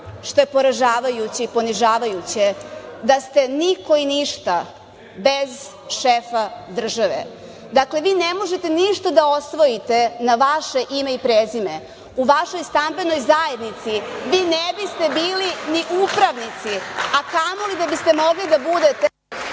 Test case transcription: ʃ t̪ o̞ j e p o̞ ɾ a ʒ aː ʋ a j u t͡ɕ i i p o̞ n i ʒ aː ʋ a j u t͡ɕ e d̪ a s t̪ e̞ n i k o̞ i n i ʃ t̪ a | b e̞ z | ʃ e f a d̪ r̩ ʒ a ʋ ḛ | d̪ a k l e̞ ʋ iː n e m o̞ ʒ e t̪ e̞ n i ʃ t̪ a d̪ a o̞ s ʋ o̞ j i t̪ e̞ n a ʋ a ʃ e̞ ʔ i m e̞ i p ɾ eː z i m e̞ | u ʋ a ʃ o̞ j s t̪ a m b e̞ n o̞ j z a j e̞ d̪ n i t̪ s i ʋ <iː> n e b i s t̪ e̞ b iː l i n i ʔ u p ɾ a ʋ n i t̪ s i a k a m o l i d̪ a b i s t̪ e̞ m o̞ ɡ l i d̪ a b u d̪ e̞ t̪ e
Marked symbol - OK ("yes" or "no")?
yes